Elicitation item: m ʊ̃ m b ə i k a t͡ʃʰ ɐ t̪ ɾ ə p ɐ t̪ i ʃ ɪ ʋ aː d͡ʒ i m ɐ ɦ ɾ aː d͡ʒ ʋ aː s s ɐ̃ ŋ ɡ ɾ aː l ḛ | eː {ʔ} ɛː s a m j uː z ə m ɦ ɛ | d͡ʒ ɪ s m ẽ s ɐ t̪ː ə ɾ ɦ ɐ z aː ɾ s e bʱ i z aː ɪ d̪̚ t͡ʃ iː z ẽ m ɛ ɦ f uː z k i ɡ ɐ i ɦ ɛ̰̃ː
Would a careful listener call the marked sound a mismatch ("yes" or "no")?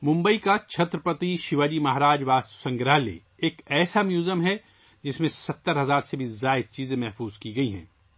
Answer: yes